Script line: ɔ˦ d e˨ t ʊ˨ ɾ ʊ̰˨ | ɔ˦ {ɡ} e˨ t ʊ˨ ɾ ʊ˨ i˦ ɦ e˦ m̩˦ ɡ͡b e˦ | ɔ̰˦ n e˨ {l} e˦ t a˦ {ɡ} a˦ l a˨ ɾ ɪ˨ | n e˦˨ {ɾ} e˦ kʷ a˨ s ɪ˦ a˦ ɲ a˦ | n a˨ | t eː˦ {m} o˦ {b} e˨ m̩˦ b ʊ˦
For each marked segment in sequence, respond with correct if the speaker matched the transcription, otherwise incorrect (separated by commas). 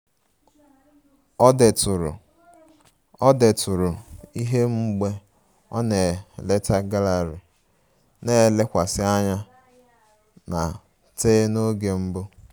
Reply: incorrect, correct, correct, incorrect, incorrect, incorrect